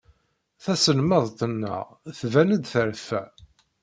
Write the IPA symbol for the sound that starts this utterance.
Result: θ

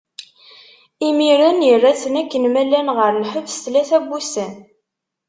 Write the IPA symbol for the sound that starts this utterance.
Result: i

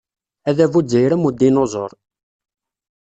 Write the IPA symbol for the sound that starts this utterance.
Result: æ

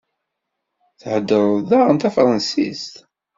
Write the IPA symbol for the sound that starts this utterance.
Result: θ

